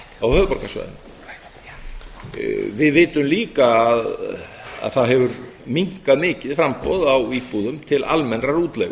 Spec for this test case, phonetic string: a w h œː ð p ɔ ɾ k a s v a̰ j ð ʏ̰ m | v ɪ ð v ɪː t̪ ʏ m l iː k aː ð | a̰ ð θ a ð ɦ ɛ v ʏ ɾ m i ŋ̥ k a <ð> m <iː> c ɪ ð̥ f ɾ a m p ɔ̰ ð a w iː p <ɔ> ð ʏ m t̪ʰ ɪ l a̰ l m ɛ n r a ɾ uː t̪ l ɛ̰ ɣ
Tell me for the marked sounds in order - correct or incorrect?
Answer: correct, incorrect: ɪː, incorrect: u

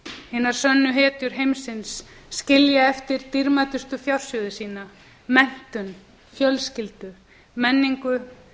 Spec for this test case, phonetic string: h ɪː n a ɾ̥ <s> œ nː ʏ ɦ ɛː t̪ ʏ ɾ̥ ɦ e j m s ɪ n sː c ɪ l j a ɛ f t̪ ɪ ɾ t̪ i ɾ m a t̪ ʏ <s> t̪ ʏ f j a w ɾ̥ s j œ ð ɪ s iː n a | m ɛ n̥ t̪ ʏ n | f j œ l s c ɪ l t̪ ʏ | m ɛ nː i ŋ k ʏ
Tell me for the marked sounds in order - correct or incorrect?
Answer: correct, correct

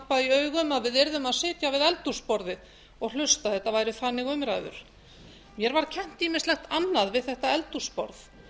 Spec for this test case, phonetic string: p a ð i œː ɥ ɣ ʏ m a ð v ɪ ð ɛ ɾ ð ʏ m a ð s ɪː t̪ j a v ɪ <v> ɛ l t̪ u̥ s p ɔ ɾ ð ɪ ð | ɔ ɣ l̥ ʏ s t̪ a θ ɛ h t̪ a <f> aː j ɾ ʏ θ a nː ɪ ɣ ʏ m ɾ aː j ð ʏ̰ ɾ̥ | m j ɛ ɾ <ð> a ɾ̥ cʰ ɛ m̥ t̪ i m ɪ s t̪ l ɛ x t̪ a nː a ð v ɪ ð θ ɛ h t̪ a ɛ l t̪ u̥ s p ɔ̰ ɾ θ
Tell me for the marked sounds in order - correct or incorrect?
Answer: incorrect: ð, incorrect: v, incorrect: v

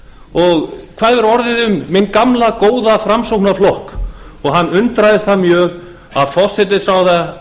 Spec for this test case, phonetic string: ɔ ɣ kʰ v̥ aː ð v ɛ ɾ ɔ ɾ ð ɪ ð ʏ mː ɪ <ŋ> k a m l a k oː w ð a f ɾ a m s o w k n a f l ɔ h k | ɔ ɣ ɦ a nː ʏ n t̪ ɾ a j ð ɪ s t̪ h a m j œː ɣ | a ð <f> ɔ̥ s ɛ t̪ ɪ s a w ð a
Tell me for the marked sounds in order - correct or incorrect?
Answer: incorrect: n, correct

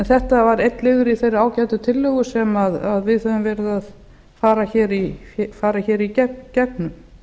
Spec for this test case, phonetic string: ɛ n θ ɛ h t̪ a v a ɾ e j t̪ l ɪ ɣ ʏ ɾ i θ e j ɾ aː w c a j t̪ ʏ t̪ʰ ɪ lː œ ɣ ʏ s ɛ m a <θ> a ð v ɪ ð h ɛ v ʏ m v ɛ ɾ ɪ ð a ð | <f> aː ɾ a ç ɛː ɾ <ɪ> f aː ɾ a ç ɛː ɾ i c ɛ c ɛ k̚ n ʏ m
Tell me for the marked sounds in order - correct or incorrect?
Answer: incorrect: ð, correct, incorrect: i

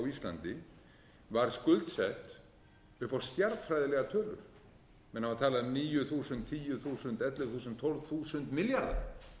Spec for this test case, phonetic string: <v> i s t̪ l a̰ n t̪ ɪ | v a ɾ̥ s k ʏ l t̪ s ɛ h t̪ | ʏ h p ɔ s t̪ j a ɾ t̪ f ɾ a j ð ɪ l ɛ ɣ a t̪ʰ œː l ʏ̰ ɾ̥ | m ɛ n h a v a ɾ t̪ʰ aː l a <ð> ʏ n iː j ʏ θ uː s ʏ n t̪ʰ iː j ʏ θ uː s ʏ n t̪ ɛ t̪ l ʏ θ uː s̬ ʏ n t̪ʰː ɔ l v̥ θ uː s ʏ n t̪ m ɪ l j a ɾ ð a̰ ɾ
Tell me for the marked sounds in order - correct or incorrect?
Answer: incorrect: w, correct

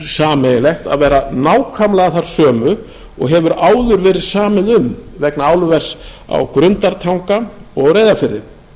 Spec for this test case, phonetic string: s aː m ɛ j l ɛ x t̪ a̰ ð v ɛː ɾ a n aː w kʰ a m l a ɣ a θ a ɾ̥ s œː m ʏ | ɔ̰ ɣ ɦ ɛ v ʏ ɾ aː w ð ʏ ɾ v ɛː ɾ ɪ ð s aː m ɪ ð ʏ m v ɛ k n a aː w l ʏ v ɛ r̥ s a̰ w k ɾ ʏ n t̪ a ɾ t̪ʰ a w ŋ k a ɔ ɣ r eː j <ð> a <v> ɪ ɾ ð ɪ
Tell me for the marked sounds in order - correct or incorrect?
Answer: correct, incorrect: f

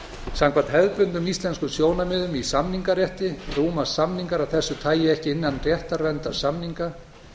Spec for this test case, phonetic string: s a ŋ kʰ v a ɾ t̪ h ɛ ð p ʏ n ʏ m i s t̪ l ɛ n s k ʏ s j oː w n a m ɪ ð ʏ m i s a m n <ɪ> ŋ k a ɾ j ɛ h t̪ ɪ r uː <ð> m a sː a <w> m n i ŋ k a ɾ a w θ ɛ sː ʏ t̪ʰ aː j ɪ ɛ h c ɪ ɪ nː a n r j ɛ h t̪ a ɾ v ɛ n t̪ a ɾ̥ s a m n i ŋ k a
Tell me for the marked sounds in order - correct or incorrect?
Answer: incorrect: i, incorrect: none, incorrect: none

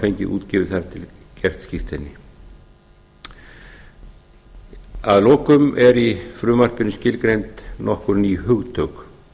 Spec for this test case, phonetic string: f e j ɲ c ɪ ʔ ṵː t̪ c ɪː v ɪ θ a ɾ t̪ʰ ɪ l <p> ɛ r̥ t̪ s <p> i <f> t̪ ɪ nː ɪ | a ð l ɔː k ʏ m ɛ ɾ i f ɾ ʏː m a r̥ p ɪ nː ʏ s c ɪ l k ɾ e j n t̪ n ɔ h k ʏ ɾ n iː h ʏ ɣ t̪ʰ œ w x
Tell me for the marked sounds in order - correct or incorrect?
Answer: incorrect: c, incorrect: c, correct

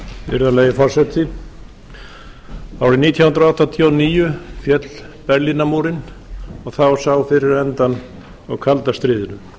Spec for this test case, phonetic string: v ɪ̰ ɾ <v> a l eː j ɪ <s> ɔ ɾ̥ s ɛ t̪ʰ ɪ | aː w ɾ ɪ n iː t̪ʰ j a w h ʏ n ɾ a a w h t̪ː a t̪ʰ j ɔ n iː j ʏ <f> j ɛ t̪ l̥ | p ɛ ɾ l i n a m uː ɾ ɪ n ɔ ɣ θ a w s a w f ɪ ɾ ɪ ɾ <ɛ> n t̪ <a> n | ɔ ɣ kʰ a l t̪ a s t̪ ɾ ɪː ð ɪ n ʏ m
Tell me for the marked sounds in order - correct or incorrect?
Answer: incorrect: ð, incorrect: f, correct, correct, correct

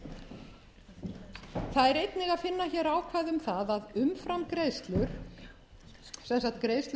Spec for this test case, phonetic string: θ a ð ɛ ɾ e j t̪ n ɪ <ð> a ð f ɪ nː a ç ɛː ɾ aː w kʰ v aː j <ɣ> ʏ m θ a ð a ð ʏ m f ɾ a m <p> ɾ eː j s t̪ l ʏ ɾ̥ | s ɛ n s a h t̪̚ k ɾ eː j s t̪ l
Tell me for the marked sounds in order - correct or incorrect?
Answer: incorrect: ɣ, incorrect: ð, incorrect: k

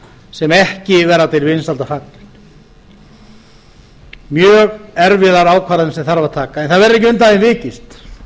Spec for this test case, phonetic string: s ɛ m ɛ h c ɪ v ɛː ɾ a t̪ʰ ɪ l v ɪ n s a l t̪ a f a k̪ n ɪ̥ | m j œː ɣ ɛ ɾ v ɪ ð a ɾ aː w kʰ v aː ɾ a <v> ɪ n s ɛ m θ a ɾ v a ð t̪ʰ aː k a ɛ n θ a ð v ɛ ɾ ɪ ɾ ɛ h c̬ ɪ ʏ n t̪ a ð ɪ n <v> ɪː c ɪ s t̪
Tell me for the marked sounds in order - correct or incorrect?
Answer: incorrect: ð, correct

